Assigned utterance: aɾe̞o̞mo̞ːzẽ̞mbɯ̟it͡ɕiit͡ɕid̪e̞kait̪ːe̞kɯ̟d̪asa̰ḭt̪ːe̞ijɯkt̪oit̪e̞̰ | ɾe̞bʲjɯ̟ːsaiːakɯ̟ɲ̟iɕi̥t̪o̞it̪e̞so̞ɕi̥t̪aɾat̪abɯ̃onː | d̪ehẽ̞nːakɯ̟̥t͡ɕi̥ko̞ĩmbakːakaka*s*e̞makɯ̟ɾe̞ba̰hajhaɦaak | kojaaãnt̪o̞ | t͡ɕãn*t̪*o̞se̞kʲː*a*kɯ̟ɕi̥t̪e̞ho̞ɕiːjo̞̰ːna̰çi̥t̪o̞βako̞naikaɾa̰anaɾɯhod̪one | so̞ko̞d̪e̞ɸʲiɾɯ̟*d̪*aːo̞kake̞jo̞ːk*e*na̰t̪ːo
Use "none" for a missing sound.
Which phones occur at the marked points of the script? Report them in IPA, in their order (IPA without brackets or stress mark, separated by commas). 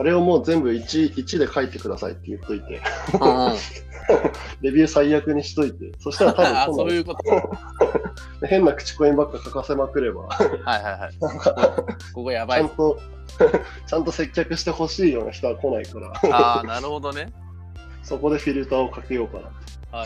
s, t̪, a, t̪, a